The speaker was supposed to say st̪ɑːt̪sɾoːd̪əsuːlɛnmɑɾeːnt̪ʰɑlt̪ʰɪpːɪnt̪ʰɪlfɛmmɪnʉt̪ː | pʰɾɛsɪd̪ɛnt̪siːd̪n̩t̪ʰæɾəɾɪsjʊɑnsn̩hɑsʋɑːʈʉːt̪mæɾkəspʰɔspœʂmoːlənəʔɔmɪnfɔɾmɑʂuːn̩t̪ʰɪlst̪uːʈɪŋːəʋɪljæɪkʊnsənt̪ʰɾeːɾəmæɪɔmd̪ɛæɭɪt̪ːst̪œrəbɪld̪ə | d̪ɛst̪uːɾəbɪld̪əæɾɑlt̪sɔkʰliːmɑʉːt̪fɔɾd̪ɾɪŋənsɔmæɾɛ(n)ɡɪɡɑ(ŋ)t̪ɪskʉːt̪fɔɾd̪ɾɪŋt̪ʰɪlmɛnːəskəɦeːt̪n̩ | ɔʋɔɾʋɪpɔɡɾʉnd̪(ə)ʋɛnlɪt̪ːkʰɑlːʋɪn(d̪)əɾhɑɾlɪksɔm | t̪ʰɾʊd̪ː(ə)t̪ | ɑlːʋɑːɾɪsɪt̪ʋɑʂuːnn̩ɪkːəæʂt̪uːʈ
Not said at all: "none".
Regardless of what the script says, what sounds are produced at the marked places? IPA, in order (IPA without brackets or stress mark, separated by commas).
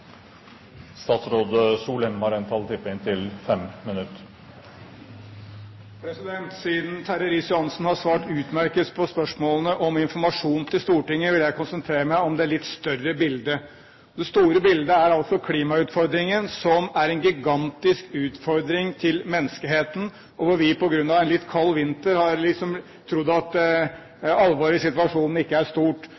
n, n, ɑ, t̪, ɑ